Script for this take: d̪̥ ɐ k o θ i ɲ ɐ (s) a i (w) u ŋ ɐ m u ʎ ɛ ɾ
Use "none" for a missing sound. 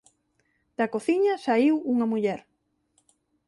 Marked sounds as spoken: s, w

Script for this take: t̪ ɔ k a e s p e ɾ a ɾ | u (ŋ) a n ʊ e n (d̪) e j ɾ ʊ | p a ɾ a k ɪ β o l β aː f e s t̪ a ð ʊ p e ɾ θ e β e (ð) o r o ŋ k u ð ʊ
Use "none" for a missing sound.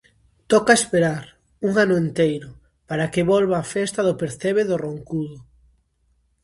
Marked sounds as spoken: ŋ, t̪, ð

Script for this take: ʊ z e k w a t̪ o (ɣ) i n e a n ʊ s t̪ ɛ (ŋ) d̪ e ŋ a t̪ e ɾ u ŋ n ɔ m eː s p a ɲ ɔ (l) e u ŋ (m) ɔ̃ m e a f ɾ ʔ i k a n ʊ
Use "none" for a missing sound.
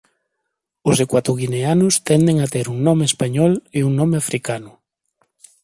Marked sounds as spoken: ɣ, n, l, n

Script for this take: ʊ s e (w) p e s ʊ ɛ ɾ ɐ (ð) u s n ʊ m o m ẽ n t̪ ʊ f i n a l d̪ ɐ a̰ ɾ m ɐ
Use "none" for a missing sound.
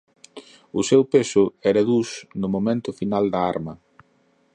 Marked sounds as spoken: w, ð

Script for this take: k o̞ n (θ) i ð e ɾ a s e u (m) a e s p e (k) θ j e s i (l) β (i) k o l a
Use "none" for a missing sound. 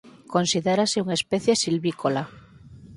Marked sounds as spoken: s, ŋ, none, l, i

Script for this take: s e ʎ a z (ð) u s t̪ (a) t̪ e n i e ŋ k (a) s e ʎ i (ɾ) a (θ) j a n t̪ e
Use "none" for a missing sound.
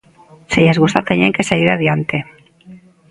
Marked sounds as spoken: ɣ, a, e, ɾ, ð

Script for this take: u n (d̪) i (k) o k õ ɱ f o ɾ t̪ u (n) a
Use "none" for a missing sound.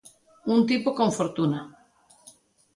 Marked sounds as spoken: t̪, p, n

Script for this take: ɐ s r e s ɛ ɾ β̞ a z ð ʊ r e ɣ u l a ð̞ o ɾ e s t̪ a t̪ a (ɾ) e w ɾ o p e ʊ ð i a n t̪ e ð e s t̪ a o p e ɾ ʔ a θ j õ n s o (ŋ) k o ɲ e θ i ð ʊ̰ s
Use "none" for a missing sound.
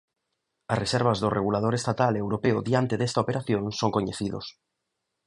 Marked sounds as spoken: l, ŋ

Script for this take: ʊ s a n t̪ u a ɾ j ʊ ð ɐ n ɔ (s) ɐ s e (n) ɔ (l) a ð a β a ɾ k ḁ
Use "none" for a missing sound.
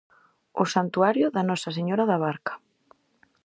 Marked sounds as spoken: s, ɲ, ɾ

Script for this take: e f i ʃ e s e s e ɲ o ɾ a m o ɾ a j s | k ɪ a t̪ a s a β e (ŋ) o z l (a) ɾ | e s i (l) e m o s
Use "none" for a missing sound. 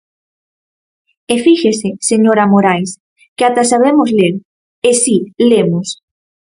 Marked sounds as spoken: m, e, l

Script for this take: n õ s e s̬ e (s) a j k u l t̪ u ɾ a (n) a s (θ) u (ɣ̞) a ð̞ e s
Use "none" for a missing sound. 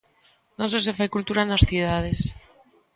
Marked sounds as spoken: f, n, θ, ð̞

